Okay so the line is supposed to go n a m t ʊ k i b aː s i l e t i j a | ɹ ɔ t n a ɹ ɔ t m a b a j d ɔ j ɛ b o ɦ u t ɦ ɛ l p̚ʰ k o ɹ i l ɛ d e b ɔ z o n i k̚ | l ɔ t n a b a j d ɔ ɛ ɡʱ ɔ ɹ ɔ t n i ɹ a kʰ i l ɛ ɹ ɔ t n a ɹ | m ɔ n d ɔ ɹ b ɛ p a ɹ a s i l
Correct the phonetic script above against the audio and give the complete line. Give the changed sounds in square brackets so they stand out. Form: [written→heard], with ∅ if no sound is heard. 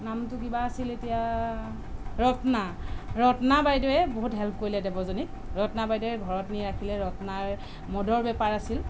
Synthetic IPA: n a m t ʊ k i b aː s i l e t i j a | ɹ ɔ t n a ɹ ɔ t [m→n] a b a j d ɔ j ɛ b o ɦ u t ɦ ɛ l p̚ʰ k o ɹ i l ɛ d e b ɔ z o n i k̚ | [l→ɹ] ɔ t n a b a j d ɔ ɛ ɡʱ ɔ ɹ ɔ t n i ɹ a kʰ i l ɛ ɹ ɔ t n a ɹ | m ɔ [n→∅] d ɔ ɹ b ɛ p a ɹ a s i l